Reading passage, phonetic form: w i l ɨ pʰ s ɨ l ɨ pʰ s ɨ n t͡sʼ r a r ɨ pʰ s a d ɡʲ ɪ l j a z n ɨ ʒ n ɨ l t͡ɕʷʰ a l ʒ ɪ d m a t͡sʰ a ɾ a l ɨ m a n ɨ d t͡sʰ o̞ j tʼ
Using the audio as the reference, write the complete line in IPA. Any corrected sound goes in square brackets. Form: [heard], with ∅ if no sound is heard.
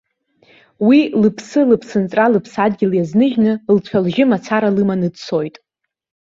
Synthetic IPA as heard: w i l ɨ pʰ s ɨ l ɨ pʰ s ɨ n t͡sʼ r a [l] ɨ pʰ s a d ɡʲ ɪ l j a z n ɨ ʒ n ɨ l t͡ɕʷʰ a l ʒ ɪ [∅] m a t͡sʰ a ɾ a l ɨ m a n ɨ d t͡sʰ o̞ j tʼ